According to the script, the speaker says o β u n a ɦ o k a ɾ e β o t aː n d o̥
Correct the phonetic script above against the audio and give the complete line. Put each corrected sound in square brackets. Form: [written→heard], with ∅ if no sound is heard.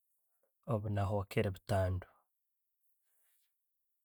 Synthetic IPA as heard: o β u n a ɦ o k [a→e] ɾ e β [o→u] t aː n d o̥

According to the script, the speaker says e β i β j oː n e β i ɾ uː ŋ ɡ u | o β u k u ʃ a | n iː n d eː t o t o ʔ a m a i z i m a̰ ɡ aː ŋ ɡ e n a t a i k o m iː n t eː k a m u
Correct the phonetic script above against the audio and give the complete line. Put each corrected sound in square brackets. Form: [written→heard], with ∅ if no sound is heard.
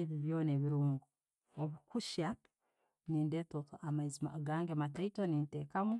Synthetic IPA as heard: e β i β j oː n e β i ɾ uː ŋ ɡ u | o β u k u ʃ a | n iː n d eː t o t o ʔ a m a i z i m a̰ ɡ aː ŋ ɡ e [n→m] a t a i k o [m→n] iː n t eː k a m u

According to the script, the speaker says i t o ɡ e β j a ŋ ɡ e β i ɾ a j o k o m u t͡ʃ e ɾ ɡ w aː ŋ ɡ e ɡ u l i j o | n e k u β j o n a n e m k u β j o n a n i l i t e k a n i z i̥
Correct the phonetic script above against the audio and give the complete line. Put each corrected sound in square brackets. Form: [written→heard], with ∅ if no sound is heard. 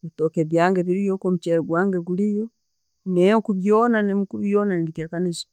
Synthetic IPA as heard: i t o [ɡ→k] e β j a ŋ ɡ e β i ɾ [a→i] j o k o m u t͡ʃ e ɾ ɡ w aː ŋ ɡ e ɡ u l i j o | n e k u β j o n a n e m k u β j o n a n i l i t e k a n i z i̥

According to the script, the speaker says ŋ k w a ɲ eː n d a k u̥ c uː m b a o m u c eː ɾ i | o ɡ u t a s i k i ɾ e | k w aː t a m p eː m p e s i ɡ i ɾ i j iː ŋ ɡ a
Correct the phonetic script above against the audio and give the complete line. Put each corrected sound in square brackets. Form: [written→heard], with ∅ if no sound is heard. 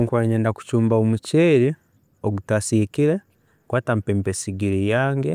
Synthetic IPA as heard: ŋ k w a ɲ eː n d a k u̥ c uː m b a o m u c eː ɾ i | o ɡ u t a s i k i ɾ e | k w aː t a m p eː m p e s i ɡ i ɾ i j [iː→aː] ŋ ɡ [a→e]

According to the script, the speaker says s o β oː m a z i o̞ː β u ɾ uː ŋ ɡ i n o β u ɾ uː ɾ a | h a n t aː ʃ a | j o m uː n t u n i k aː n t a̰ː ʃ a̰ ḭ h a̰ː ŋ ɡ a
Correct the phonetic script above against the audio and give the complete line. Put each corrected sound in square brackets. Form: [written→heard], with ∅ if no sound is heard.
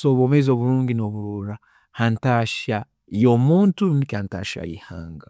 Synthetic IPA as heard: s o β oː m [a→e] z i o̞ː β u ɾ uː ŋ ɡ i n o β u ɾ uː ɾ a | h a n t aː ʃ a | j o m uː n t u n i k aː n t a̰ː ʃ a̰ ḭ h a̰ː ŋ ɡ a

